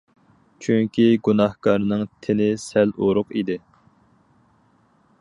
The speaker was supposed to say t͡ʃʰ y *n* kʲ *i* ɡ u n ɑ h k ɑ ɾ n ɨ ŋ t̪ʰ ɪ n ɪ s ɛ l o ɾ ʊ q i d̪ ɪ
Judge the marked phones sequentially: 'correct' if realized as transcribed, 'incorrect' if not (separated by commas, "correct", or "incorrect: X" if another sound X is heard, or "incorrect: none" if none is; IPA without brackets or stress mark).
incorrect: ŋ, correct